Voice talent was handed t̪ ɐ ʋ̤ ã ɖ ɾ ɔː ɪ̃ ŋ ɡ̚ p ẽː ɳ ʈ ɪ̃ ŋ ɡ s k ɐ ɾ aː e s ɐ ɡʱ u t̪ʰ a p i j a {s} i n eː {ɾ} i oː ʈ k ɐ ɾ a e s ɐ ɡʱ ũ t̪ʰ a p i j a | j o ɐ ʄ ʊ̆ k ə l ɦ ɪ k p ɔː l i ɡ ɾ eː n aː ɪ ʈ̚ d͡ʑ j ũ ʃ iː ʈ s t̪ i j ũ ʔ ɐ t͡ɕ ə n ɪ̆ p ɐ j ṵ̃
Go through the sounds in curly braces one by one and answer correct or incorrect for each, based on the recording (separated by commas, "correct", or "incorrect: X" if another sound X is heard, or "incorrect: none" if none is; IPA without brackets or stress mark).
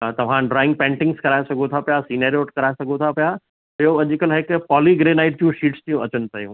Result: correct, correct